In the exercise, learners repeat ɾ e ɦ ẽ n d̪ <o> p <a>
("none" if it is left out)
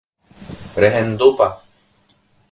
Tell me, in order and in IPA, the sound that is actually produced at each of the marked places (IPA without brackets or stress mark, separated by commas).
u, a